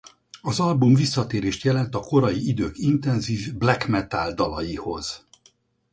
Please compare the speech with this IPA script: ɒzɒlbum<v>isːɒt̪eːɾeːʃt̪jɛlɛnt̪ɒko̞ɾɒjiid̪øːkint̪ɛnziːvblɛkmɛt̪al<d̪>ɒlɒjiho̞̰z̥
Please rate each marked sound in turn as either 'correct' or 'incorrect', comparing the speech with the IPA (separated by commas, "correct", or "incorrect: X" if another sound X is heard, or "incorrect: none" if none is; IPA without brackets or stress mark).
correct, correct